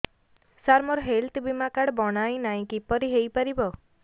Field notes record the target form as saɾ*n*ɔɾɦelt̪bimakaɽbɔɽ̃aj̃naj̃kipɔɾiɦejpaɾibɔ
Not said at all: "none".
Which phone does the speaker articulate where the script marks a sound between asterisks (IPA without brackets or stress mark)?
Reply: m